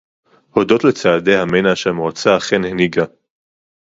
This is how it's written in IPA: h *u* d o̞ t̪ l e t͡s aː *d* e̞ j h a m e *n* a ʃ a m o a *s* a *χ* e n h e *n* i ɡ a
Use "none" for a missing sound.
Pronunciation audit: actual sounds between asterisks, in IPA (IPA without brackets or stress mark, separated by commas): o, d, n, t͡s, χ, n